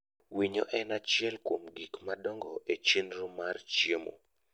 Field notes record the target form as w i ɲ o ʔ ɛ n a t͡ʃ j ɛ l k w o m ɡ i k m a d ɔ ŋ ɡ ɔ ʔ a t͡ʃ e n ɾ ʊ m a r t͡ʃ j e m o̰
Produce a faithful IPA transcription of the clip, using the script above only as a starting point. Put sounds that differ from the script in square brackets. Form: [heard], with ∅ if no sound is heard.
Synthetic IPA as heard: w i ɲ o ʔ ɛ n a t͡ʃ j ɛ l k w o m ɡ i k m a d ɔ ŋ ɡ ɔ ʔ [e] t͡ʃ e n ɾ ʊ m a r t͡ʃ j e m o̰